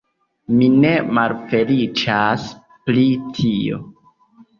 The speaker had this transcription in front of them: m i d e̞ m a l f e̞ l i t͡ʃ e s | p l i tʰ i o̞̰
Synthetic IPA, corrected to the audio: m i n e̞ m a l f e̞ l i t͡ʃ a s | p l i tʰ i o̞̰